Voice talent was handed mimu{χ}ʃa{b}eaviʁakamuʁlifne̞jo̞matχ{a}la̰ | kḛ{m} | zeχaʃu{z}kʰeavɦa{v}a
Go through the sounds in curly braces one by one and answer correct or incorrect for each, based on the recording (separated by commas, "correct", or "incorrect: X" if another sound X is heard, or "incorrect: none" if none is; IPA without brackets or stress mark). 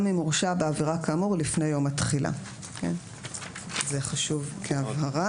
incorrect: ʁ, correct, incorrect: i, incorrect: n, incorrect: v, incorrect: ʁ